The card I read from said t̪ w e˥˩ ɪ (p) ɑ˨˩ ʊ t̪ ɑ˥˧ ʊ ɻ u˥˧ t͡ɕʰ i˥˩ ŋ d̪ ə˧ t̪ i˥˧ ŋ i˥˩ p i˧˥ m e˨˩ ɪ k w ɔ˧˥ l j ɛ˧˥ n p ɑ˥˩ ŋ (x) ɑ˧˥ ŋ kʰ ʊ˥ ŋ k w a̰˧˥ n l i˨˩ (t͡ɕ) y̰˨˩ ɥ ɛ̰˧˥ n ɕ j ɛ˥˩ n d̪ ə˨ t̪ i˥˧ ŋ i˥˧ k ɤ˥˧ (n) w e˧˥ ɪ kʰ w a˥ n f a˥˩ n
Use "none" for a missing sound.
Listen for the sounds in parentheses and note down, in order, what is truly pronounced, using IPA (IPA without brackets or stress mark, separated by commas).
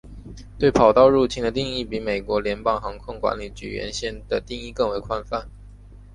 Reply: pʰ, x, t͡ɕ, ŋ